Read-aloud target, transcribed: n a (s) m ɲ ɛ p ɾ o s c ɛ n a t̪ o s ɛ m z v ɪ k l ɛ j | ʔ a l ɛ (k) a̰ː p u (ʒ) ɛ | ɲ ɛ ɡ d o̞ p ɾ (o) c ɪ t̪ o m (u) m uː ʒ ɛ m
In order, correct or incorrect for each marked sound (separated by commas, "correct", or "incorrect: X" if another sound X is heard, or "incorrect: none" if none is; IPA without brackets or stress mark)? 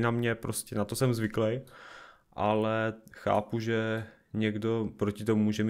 incorrect: none, incorrect: x, correct, correct, correct